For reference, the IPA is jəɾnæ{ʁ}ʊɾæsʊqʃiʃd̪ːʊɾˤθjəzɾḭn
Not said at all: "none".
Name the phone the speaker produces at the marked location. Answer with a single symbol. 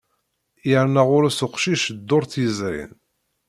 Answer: ʁ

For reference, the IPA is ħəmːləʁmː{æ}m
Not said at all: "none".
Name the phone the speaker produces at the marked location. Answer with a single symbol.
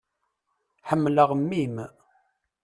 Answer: i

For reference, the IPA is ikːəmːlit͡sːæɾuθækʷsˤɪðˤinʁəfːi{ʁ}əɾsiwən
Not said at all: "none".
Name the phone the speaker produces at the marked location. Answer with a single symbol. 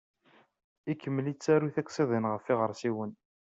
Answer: ʁ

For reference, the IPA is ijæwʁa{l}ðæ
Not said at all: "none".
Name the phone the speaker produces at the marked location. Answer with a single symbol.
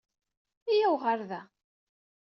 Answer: ɾ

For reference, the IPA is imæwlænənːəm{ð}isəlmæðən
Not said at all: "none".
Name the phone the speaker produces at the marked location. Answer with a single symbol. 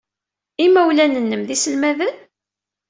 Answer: ð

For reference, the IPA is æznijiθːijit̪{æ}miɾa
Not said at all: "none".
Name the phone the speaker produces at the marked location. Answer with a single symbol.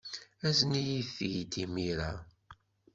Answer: i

